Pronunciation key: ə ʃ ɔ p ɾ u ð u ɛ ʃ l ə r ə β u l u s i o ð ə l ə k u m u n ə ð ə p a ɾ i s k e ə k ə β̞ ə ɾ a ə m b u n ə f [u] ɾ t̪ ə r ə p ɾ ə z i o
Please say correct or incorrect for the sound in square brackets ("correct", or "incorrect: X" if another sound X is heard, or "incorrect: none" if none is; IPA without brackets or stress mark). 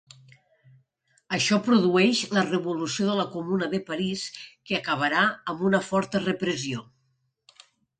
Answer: incorrect: ɔ